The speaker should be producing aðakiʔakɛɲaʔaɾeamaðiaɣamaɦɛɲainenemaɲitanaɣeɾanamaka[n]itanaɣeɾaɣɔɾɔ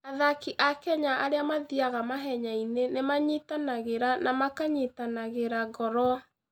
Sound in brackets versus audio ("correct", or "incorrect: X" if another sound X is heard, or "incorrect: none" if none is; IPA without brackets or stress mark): incorrect: ɲ